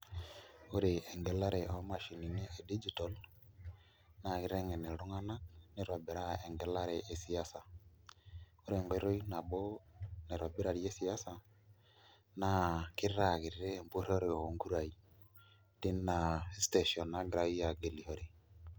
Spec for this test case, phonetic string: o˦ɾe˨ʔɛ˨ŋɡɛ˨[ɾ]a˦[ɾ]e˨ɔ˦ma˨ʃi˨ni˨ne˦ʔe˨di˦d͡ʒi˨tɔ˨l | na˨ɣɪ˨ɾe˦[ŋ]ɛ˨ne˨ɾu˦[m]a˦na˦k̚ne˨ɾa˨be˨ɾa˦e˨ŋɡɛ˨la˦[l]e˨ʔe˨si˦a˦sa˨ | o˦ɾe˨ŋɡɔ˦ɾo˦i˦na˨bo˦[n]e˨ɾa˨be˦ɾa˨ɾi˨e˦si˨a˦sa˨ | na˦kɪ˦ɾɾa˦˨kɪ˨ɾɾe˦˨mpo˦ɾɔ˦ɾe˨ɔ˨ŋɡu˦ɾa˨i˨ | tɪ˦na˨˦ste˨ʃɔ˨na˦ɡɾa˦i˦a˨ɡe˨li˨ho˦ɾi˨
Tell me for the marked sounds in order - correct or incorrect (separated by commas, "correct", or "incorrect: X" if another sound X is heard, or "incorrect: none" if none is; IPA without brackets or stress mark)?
incorrect: l, correct, correct, incorrect: ŋ, incorrect: ɾ, correct